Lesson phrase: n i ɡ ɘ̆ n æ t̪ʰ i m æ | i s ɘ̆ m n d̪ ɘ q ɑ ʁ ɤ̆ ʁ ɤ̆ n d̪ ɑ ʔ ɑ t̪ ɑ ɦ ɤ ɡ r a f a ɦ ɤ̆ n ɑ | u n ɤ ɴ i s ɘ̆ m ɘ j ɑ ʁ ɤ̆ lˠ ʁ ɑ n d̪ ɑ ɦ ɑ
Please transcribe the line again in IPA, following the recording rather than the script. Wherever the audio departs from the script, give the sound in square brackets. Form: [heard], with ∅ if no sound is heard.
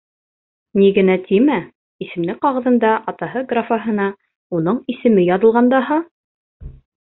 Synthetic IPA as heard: n i ɡ ɘ̆ n æ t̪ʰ i m æ | i s ɘ̆ m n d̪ ɘ q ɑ ʁ ɤ̆ [ð] ɤ̆ n d̪ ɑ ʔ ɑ t̪ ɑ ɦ ɤ ɡ r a f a ɦ ɤ̆ n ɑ | u n ɤ ɴ i s ɘ̆ m ɘ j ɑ [ð] ɤ̆ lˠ ʁ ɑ n d̪ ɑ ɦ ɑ